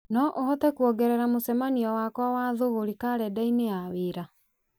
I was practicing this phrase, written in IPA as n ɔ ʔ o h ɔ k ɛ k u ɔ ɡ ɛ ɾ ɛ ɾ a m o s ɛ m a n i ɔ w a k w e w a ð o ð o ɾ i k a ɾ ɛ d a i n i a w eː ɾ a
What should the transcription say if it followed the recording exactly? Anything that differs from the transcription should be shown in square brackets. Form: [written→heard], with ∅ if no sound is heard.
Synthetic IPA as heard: n ɔ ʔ o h ɔ [k→t] ɛ k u ɔ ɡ ɛ ɾ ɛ ɾ a m o s ɛ m a n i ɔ w a k w [e→a] w a ð o [ð→ɣ] o ɾ i k a ɾ ɛ d a i n [i→e] a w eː ɾ a